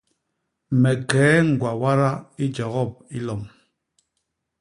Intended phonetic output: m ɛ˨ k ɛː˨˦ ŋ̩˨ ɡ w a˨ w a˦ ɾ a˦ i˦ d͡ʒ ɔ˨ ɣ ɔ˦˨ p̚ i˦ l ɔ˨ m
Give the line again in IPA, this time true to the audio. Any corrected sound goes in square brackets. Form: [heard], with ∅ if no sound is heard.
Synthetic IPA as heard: m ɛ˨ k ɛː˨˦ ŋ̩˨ ɡ w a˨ w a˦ ɾ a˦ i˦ d͡ʒ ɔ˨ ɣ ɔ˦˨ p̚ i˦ l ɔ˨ m